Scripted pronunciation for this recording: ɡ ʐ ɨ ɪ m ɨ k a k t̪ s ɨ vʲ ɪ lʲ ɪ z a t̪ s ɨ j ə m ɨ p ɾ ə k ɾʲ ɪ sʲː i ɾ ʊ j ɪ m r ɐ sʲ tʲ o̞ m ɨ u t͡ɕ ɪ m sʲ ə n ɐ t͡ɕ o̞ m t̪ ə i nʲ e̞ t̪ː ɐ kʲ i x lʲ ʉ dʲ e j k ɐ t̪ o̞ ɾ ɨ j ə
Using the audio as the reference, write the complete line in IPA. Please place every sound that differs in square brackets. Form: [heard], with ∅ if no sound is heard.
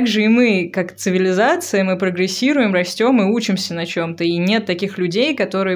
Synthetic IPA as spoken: ɡ ʐ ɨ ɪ m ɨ k a k t̪ s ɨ vʲ ɪ lʲ ɪ z a t̪ s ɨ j ə m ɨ p ɾ ə [ɡ] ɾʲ ɪ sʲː i ɾ ʊ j ɪ m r ɐ sʲ tʲ o̞ m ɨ u t͡ɕ ɪ m sʲ ə n ɐ t͡ɕ o̞ m t̪ ə i nʲ e̞ t̪ː ɐ kʲ i x lʲ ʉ dʲ e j k ɐ t̪ o̞ ɾ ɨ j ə